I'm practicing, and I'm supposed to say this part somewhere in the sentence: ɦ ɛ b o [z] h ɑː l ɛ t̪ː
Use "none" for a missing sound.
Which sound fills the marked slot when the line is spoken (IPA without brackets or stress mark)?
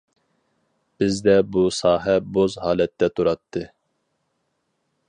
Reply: z